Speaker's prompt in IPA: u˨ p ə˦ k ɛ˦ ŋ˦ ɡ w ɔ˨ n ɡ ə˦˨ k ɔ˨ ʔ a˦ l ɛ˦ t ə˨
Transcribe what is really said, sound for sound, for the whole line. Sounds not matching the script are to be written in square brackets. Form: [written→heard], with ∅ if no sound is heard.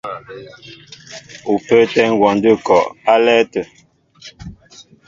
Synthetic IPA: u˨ p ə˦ [k→t] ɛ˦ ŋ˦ ɡ w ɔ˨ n [ɡ→d] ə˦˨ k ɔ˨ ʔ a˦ l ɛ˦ t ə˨